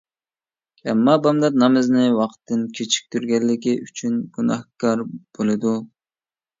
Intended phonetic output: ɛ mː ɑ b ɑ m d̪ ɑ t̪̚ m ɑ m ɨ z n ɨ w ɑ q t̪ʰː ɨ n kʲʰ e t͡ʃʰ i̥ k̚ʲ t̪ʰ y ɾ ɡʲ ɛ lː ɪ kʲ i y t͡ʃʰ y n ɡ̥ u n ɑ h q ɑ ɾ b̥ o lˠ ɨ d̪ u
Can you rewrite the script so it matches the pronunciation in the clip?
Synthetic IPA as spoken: ɛ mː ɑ b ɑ m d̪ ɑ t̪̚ n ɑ m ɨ z n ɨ w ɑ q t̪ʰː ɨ n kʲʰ e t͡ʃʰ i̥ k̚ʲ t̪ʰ y ɾ ɡʲ ɛ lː ɪ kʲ i y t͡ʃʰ y n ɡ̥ u n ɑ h k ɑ ɾ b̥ o lˠ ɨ d̪ u